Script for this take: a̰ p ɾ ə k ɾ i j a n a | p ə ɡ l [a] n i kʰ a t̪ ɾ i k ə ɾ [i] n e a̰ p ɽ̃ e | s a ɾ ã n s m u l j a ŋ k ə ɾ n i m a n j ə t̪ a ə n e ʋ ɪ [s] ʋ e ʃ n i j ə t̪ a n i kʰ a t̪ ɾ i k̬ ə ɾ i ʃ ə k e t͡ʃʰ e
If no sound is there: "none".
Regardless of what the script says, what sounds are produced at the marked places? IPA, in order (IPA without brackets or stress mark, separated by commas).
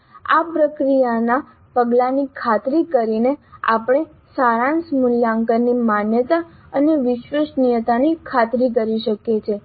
a, i, ʃ